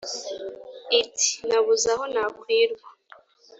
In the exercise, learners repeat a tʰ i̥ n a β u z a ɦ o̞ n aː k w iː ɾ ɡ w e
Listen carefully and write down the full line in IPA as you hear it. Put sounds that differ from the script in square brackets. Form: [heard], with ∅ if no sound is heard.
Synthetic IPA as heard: [i] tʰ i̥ n a β u z a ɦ o̞ n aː k w iː ɾ ɡ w [a]